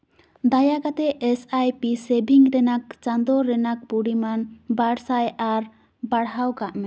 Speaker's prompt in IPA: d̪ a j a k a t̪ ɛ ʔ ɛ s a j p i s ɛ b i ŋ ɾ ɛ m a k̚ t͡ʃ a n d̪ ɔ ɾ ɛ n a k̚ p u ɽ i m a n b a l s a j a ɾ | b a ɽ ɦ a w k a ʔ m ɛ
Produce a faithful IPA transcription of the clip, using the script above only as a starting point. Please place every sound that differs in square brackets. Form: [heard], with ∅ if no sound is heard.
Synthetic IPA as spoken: d̪ a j a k a t̪ ɛ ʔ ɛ s a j p i s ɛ b i ŋ ɾ ɛ [n] a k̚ t͡ʃ a n d̪ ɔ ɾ ɛ n a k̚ p u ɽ i m a n b a [ɽ] s a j a ɾ | b a ɽ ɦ a w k a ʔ m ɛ